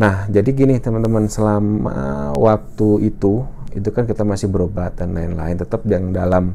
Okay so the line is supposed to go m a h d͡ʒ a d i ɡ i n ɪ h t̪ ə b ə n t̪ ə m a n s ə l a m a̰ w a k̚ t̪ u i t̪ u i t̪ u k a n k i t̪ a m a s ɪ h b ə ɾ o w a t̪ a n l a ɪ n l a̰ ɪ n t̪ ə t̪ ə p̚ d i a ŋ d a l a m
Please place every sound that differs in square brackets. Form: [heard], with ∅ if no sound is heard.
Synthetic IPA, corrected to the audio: [n] a h d͡ʒ a d i ɡ i n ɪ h t̪ ə [m] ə n t̪ ə m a n s ə l a m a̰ w a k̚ t̪ u i t̪ u i t̪ u k a n k i t̪ a m a s ɪ h b ə ɾ o [b] a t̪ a n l a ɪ n l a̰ ɪ n t̪ ə t̪ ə p̚ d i a ŋ d a l a m

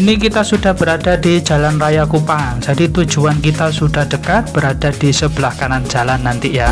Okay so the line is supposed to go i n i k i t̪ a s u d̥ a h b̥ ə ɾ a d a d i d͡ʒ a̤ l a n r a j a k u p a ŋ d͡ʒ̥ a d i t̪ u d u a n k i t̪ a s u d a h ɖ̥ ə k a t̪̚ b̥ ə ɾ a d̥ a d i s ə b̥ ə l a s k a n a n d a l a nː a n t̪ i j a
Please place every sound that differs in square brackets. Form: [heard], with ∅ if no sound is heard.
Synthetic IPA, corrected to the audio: i n i k i t̪ a s u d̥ a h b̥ ə ɾ a d a d i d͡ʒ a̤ l a n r a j a k u p a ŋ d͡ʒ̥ a d i t̪ u [d͡ʒ] u a n k i t̪ a s u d a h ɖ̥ ə k a t̪̚ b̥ ə ɾ a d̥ a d i s ə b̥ ə l a [h] k a n a n [d͡ʒ] a l a nː a n t̪ i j a

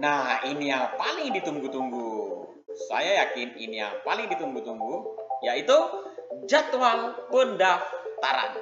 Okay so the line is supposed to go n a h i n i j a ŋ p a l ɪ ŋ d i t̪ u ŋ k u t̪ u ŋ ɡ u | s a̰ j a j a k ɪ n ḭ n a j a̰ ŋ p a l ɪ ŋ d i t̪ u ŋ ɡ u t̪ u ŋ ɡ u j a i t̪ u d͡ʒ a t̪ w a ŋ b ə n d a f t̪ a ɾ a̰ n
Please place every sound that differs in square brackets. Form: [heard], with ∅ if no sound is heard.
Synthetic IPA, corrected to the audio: n a h i n i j a ŋ p a l ɪ ŋ d i t̪ u ŋ [ɡ] u t̪ u ŋ ɡ u | s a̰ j a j a k ɪ n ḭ n [i] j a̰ ŋ p a l ɪ ŋ d i t̪ u ŋ ɡ u t̪ u ŋ ɡ u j a i t̪ u d͡ʒ a t̪ w a ŋ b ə n d a f t̪ a ɾ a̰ n

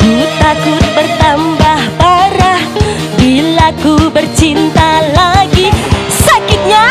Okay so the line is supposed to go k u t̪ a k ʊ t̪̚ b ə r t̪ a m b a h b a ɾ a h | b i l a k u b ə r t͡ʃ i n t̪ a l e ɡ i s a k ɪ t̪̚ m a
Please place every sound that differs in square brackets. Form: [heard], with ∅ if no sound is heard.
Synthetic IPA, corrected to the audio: k u t̪ a k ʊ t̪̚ b ə r t̪ a m b a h b a ɾ a h | b i l a k u b ə r t͡ʃ i n t̪ a l [a] ɡ i s a k ɪ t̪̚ [ɲ] a

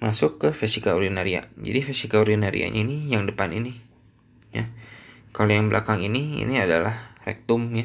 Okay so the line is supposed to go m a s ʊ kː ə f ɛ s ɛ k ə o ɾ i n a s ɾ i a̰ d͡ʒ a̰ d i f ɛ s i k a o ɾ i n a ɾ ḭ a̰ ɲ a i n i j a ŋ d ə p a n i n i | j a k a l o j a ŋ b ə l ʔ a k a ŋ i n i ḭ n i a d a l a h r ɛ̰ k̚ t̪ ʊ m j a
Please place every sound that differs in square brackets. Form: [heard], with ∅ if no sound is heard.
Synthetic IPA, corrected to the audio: m a s ʊ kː ə f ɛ s [i] k [a] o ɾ i n a [∅] ɾ i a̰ d͡ʒ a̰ d i f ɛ s i k a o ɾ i n a ɾ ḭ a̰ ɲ a i n i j a ŋ d ə p a n i n i | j a k a l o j a ŋ b ə l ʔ a k a ŋ i n i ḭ n i a d a l a h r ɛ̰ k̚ t̪ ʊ m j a

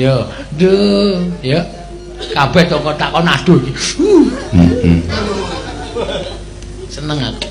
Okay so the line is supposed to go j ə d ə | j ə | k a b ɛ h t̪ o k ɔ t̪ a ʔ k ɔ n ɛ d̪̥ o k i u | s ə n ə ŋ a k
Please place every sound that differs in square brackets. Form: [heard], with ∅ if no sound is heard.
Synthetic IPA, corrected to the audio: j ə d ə | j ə | k a b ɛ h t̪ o k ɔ t̪ a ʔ k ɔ n [a] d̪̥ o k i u | s ə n ə ŋ a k

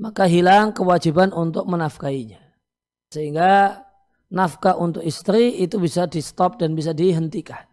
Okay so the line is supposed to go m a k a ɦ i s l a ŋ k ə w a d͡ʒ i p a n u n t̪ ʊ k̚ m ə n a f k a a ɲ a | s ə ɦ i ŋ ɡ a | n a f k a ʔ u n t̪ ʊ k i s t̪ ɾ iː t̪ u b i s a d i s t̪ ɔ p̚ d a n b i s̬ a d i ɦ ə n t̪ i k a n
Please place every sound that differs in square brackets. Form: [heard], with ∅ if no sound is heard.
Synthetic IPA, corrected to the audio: m a k a ɦ i [∅] l a ŋ k ə w a d͡ʒ i [b] a n u n t̪ ʊ k̚ m ə n a f k a [i] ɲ a | s ə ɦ i ŋ ɡ a | n a f k a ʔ u n t̪ ʊ k i s t̪ ɾ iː t̪ u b i s a d i s t̪ ɔ p̚ d a n b i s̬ a d i ɦ ə n t̪ i k a n

